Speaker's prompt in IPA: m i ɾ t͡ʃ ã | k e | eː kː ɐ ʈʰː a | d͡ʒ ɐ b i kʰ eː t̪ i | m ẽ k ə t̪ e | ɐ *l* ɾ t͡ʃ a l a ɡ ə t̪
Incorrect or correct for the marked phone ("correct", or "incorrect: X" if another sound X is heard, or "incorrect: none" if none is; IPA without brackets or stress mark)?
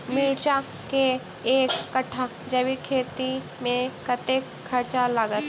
incorrect: none